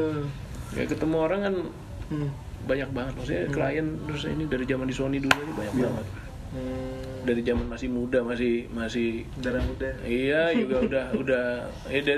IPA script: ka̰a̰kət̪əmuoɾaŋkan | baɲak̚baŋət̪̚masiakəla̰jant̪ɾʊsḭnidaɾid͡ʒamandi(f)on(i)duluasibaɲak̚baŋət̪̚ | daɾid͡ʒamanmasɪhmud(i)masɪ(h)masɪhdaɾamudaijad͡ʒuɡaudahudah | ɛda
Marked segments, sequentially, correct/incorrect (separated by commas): incorrect, correct, incorrect, correct